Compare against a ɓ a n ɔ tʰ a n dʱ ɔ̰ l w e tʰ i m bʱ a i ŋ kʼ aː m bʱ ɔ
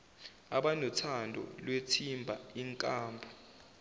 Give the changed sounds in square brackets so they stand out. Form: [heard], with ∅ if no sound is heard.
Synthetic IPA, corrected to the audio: a ɓ a n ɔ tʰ a n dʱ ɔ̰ l w e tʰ i m bʱ a i ŋ kʼ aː m bʱ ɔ